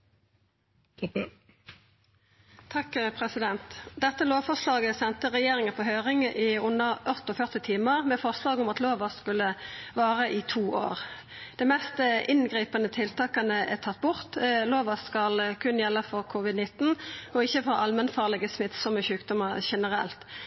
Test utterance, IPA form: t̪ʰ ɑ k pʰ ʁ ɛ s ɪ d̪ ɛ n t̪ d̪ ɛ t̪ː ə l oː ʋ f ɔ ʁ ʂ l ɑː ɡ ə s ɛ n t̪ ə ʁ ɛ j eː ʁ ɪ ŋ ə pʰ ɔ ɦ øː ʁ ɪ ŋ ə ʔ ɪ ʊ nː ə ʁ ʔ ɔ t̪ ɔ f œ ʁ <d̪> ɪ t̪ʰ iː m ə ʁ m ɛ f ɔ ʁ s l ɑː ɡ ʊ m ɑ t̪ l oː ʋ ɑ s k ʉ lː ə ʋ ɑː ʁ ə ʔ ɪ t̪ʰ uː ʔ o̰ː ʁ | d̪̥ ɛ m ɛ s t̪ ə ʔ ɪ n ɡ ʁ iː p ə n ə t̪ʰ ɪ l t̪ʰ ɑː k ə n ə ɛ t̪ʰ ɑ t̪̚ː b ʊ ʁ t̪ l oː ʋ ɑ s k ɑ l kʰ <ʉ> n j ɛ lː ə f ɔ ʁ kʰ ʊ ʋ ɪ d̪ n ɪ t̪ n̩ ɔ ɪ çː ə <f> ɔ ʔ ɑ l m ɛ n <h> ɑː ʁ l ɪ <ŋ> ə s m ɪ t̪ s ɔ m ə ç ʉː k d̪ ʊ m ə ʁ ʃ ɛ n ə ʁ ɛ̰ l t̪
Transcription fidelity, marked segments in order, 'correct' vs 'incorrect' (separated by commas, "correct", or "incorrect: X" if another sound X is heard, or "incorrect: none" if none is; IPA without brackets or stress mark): incorrect: t̪, correct, correct, incorrect: f, incorrect: ɡ